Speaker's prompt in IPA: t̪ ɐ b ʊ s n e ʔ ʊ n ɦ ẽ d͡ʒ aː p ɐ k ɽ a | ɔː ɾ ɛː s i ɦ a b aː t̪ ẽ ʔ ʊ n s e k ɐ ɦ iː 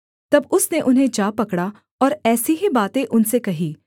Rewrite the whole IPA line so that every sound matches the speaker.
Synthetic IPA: t̪ ɐ b ʊ s n e ʔ ʊ n ɦ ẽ d͡ʒ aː p ɐ k ɽ a | ɔː ɾ ɛː s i ɦ i b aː t̪ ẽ ʔ ʊ n s e k ɐ ɦ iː